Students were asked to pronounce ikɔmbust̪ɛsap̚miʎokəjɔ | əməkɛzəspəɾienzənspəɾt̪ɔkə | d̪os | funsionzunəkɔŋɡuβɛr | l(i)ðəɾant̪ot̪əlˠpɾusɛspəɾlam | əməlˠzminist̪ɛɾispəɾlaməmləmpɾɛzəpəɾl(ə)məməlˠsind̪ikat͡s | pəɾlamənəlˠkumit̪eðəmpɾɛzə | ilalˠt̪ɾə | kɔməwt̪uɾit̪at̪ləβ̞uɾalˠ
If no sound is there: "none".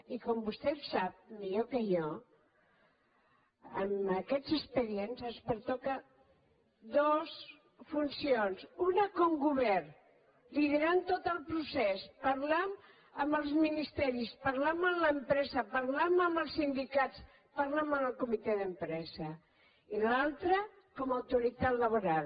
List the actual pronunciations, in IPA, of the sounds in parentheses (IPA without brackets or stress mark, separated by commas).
i, a